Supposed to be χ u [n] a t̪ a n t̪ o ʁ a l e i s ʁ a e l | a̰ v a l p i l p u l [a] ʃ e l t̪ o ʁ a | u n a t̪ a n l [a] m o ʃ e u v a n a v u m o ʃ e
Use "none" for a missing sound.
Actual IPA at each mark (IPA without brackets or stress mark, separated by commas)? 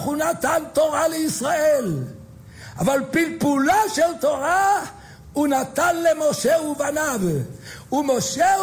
n, a, e